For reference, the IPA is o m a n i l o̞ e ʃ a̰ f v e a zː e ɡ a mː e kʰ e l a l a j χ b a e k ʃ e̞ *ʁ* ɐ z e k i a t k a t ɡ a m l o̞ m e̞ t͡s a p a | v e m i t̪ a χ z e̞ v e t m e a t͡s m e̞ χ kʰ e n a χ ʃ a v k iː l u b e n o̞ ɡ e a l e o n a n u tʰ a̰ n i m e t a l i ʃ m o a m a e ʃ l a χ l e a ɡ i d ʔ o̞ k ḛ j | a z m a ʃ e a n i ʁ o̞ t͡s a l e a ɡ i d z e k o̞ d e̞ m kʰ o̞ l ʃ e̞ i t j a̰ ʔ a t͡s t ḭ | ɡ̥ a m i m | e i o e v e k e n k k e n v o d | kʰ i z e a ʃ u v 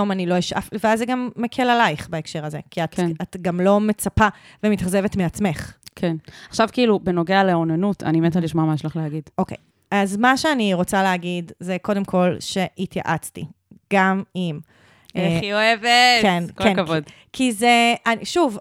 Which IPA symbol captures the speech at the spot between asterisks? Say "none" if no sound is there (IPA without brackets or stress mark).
ʁ